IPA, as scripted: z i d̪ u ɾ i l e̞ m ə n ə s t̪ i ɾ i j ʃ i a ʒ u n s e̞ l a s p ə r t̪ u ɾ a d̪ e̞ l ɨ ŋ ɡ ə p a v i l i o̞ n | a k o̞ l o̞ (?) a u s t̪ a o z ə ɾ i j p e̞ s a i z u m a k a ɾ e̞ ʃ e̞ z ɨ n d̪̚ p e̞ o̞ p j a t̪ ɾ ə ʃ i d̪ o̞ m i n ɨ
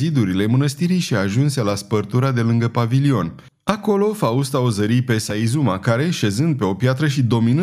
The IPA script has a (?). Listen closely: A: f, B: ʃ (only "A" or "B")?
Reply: A